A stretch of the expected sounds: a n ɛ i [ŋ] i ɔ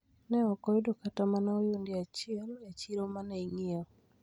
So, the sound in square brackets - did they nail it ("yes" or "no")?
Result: yes